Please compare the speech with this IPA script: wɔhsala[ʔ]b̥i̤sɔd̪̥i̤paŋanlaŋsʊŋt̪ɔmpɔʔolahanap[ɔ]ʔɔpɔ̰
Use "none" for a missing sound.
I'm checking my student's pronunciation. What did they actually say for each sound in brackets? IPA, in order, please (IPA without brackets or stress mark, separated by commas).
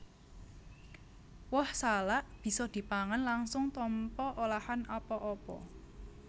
ʔ, ɔ